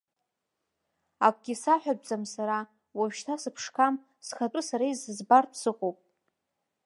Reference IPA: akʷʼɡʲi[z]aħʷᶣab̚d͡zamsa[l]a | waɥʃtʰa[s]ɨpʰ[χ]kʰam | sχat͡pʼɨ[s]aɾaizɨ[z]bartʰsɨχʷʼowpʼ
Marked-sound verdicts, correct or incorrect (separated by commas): incorrect, incorrect, correct, incorrect, correct, correct